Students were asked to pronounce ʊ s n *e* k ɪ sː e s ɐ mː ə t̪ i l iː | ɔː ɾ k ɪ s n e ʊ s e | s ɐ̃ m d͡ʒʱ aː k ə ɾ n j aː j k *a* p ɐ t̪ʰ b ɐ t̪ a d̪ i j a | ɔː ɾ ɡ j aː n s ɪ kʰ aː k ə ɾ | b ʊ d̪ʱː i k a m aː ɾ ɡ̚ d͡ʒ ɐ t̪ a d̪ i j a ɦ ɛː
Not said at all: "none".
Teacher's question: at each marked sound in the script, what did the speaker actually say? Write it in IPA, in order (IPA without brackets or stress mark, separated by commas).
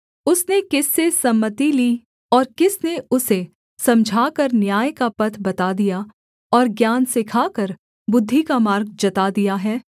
e, a